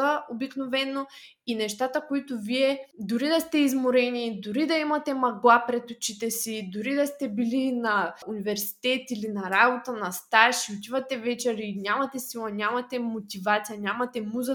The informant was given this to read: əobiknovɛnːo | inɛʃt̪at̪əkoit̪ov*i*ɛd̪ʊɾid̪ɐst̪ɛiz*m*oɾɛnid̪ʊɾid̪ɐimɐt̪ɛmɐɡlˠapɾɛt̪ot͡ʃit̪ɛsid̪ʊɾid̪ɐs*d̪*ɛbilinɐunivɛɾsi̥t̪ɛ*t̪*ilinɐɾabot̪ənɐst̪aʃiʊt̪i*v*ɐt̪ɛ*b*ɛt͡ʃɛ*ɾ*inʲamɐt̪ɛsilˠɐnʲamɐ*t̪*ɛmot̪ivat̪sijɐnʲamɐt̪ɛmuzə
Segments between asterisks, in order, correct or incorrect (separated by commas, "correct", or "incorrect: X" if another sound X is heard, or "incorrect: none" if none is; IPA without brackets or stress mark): correct, correct, incorrect: t̪, correct, correct, incorrect: v, correct, correct